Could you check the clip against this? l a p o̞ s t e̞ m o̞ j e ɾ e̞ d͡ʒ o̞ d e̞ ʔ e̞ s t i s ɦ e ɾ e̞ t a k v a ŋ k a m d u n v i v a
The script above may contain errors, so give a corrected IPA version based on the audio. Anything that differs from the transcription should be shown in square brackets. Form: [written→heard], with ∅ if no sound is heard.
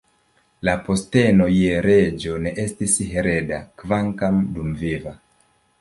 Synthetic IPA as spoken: l a p o̞ s t e̞ [m→n] o̞ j e ɾ e̞ d͡ʒ o̞ [d→n] e̞ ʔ e̞ s t i s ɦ e ɾ e̞ [t→d] a k v a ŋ k a m d u [n→m] v i v a

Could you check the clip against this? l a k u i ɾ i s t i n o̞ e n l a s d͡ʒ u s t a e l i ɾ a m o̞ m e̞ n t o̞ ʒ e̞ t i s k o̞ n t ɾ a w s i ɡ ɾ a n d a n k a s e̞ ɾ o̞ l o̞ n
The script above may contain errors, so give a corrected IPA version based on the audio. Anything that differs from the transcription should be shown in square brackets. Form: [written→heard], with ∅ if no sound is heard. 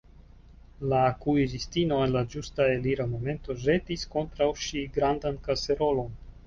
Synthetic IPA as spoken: l a k u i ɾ i s t i n o̞ e n l a [s→∅] d͡ʒ u s t a e l i ɾ a m o̞ m e̞ n t o̞ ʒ e̞ t i s k o̞ n t ɾ a w [s→ʃ] i ɡ ɾ a n d a n k a s e̞ ɾ o̞ l o̞ n

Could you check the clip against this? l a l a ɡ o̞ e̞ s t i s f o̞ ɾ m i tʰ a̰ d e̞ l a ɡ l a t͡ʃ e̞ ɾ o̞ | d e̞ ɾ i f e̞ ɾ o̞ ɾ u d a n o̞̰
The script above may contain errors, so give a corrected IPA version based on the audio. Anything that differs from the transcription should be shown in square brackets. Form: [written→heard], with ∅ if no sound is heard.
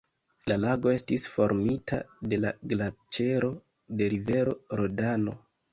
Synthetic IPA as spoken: l a l a ɡ o̞ e̞ s t i s f o̞ ɾ m i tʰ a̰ d e̞ l a ɡ l a t͡ʃ e̞ ɾ o̞ | d e̞ ɾ i [f→v] e̞ ɾ o̞ ɾ [u→o] d a n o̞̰

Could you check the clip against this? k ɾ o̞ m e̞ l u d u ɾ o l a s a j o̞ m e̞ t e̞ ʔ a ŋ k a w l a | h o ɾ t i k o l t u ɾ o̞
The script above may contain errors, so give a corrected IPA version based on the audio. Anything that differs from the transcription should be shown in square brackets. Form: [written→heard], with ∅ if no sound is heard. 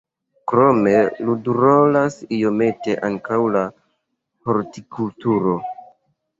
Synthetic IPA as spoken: k ɾ o̞ m e̞ l u d u ɾ o l a s [a→i] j o̞ m e̞ t e̞ ʔ a ŋ k a w l a | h o ɾ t i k [o→u] l t u ɾ o̞

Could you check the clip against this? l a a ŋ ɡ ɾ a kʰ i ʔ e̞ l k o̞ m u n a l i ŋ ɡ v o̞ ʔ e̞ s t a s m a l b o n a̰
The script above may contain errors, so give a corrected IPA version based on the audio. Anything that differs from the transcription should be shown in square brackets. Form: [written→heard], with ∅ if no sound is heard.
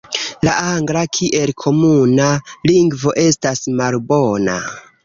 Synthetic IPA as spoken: l a a ŋ ɡ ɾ a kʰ i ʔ e̞ l [k→kʰ] o̞ m u n a l i ŋ ɡ v o̞ ʔ e̞ s t a s m a l b o n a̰

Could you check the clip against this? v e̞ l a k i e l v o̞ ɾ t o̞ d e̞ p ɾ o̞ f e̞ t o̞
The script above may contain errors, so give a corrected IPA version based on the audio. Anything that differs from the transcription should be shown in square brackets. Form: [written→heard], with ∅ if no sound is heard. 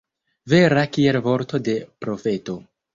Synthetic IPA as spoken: v e̞ [l→ɾ] a k i e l v o̞ ɾ t o̞ d e̞ p ɾ o̞ f e̞ t o̞

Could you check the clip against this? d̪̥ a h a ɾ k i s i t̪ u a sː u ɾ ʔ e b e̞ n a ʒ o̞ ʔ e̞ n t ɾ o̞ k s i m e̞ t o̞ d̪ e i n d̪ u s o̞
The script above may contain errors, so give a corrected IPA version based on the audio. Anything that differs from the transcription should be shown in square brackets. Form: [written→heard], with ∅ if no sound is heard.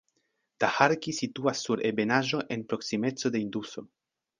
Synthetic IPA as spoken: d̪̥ a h a ɾ k i s i t̪ u a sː u ɾ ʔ e b e̞ n a ʒ o̞ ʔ e̞ n [t→p] ɾ o̞ k s i m e̞ [t→t͡s] o̞ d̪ e i n d̪ u s o̞

